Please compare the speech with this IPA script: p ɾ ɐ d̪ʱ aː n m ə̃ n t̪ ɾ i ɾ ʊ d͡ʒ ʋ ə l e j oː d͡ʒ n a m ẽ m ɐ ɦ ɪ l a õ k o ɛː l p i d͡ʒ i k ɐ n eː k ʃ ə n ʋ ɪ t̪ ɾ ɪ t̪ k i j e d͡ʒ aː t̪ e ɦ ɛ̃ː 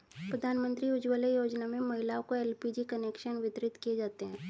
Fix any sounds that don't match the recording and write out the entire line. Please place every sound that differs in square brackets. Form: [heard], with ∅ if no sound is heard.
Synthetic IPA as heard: p ɾ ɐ d̪ʱ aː n m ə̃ n t̪ ɾ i [∅] ʊ d͡ʒ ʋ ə l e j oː d͡ʒ n a m ẽ m ɐ ɦ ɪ l a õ k o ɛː l p i d͡ʒ i k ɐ n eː k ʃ ə n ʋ ɪ t̪ ɾ ɪ t̪ k i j e d͡ʒ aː t̪ e ɦ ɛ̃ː